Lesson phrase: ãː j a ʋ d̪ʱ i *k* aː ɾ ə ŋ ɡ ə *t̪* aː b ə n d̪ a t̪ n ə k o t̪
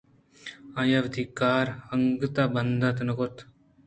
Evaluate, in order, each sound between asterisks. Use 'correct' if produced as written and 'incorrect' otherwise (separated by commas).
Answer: correct, correct